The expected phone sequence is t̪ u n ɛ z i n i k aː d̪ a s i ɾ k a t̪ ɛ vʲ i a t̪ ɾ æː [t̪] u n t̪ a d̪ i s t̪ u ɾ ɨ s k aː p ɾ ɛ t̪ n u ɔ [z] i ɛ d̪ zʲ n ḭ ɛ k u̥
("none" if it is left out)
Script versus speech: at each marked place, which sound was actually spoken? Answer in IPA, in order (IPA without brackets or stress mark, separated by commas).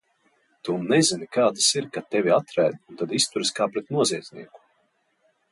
d̪, z